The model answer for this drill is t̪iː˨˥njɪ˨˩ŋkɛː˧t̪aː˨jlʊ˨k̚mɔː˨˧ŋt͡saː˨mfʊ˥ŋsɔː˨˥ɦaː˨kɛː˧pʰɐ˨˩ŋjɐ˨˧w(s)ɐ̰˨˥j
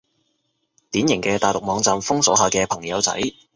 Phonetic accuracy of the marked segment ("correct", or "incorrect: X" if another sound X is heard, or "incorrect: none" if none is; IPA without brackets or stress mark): incorrect: t͡s